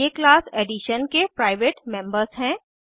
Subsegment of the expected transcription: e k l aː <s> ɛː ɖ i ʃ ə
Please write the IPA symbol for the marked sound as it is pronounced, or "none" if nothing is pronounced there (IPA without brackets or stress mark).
s